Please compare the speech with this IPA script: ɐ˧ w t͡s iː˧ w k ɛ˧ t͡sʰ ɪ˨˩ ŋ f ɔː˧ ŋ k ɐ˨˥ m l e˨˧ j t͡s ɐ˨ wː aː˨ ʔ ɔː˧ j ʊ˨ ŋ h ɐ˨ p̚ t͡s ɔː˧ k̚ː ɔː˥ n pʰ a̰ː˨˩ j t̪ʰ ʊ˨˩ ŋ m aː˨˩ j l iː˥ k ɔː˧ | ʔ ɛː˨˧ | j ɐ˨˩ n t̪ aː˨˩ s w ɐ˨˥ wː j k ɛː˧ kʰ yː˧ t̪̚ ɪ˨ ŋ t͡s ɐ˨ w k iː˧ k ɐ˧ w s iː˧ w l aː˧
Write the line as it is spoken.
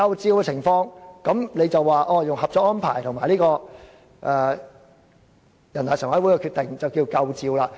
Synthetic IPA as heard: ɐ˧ w t͡s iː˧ w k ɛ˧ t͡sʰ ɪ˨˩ ŋ f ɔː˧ ŋ k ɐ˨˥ m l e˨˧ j t͡s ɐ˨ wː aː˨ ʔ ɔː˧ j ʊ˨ ŋ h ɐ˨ p̚ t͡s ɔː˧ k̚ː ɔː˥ n pʰ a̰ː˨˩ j t̪ʰ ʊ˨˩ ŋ m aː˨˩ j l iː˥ k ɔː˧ | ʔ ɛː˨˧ | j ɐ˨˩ n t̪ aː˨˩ s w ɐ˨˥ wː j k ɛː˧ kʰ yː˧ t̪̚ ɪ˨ ŋ t͡s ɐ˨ w k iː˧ k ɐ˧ w t͡s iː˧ w l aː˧